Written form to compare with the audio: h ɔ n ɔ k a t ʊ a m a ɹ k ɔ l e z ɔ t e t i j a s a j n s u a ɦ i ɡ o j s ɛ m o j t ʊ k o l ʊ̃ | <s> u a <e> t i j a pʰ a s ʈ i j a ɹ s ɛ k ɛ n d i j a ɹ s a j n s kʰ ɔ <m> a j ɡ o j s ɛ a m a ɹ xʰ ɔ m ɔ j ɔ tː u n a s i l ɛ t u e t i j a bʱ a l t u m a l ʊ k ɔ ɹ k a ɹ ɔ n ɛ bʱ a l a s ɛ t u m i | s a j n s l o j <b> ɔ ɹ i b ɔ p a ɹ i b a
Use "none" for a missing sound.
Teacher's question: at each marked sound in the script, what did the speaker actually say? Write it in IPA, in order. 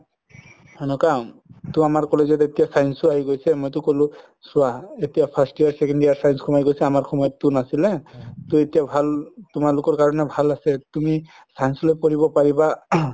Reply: s, e, m, p

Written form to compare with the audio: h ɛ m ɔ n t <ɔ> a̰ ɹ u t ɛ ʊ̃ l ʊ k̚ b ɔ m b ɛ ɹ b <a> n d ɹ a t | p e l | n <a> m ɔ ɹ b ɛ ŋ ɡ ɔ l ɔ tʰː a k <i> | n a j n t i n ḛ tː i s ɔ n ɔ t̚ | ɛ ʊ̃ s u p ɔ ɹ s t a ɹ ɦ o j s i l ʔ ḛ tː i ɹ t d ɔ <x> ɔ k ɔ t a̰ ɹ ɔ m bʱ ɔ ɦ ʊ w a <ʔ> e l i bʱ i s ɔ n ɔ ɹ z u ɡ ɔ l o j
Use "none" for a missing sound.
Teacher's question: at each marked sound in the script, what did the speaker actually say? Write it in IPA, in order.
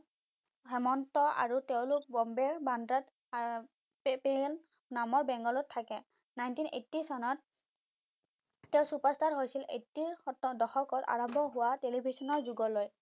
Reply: ɔ, a, a, ɛ, x, t

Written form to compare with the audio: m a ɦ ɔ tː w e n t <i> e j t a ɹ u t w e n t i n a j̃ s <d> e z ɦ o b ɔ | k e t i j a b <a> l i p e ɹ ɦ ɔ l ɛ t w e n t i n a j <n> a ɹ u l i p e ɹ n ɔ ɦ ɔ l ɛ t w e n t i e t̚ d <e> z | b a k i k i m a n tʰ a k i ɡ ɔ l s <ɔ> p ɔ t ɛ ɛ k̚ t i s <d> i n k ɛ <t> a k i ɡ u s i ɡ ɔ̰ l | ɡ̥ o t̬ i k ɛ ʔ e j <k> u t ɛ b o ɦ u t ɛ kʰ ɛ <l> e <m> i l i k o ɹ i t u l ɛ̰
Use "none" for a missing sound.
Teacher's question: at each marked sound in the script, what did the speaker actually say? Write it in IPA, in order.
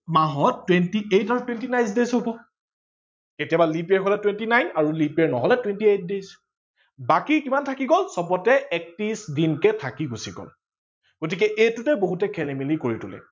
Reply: i, d, a, n, e, ɔ, d, tʰ, t, l, m

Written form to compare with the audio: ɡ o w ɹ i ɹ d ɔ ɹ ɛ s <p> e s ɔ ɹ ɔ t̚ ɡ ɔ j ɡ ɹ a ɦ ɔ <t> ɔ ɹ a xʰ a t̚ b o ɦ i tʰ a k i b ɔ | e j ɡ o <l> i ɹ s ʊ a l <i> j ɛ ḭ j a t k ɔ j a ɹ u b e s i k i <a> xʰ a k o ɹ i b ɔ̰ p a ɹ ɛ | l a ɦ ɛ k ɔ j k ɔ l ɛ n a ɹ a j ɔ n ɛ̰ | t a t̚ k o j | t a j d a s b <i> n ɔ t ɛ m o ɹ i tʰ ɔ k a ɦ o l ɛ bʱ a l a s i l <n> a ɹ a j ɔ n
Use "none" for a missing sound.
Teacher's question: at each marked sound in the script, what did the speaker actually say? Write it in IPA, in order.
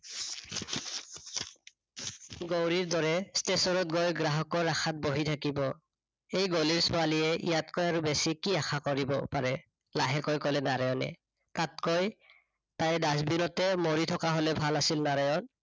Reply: t, k, l, i, a, i, n

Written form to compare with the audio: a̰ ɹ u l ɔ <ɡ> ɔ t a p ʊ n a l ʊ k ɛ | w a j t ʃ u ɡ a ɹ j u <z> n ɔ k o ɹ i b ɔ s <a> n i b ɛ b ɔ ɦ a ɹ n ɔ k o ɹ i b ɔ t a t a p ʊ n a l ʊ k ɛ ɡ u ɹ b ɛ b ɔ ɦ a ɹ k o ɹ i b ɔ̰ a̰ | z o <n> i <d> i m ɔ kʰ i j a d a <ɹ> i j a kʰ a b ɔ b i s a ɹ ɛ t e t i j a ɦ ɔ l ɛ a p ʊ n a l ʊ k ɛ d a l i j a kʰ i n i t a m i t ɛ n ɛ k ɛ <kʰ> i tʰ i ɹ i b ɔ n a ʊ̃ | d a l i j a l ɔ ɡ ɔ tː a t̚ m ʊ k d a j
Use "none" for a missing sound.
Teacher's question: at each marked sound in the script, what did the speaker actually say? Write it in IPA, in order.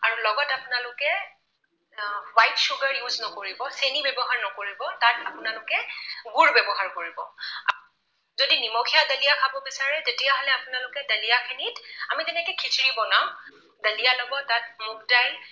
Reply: ɡ, z, e, d, n, l, kʰ

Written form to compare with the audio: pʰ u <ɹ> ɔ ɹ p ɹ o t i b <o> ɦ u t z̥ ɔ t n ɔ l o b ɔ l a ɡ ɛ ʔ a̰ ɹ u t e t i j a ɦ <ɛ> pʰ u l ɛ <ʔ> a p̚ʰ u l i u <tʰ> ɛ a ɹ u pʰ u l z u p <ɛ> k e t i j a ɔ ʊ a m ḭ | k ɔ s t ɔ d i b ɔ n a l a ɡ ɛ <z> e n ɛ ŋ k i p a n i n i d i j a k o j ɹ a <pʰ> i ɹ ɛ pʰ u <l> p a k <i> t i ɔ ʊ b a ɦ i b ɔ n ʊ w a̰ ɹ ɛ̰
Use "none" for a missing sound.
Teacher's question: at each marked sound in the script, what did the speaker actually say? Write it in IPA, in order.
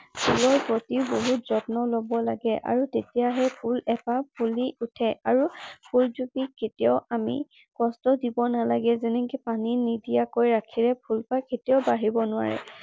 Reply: l, o, ɛ, p, tʰ, i, z, kʰ, l, e

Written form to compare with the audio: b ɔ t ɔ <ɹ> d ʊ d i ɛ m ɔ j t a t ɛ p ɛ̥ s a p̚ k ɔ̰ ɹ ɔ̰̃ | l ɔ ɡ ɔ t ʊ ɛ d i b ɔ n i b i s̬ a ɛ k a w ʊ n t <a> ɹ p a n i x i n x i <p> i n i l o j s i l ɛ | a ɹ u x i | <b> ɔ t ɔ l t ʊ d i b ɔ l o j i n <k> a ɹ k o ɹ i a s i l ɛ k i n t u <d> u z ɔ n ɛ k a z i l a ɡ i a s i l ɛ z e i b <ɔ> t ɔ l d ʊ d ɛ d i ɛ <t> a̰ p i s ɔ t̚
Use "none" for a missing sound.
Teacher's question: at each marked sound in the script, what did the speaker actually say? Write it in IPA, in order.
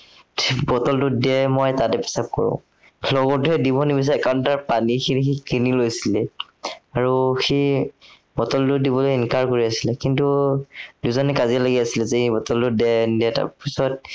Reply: l, a, k, b, k, d, ɔ, t

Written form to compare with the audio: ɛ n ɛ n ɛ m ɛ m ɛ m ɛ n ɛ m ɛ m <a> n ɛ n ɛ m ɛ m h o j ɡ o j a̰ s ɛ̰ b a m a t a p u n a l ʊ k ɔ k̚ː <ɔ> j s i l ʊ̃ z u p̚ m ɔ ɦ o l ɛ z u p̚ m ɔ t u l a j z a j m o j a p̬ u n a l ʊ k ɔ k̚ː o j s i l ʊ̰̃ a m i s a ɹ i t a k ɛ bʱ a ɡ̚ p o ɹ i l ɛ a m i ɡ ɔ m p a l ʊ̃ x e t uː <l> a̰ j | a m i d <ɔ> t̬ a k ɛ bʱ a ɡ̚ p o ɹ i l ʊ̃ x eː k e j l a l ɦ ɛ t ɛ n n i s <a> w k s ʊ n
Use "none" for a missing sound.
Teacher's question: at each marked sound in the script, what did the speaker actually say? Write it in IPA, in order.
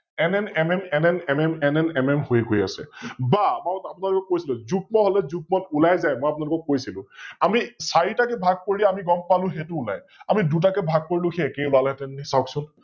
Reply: ɛ, o, l, u, a

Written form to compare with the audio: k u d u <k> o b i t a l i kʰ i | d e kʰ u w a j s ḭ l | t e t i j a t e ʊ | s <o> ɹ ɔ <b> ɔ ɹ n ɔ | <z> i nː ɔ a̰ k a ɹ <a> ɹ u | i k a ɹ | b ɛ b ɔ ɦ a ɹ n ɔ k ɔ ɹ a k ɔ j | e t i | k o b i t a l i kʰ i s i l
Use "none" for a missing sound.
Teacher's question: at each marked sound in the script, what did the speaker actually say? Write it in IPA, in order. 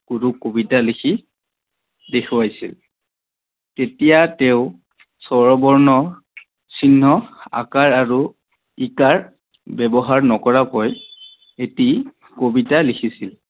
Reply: k, ɔ, b, s, a

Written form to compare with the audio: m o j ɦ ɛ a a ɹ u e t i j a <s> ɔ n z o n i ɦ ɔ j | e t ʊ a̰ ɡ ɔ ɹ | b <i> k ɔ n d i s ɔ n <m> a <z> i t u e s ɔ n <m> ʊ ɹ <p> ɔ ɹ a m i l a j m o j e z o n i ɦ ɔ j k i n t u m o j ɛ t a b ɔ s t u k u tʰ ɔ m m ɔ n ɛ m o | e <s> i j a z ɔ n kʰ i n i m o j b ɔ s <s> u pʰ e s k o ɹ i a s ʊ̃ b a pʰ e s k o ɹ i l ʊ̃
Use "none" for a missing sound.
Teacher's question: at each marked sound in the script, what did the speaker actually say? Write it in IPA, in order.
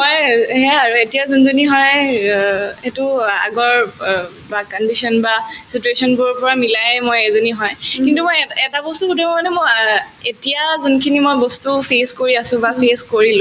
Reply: z, a, b, s, b, p, t, t

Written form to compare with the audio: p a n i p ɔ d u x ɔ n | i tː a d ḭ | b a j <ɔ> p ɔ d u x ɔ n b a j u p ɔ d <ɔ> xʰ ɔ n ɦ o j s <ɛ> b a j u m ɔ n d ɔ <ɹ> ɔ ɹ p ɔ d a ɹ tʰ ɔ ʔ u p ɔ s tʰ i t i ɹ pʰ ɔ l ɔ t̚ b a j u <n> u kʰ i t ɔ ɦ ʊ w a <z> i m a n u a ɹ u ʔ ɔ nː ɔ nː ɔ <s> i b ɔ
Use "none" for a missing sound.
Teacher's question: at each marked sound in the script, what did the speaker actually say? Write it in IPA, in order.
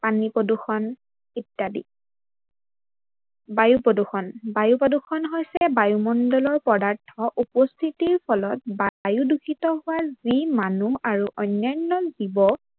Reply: u, u, ɛ, l, d, z, z

